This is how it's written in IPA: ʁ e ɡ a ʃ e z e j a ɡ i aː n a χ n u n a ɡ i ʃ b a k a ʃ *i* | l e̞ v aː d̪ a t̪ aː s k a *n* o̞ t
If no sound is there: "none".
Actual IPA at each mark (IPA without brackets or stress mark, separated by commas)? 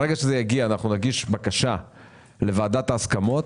a, m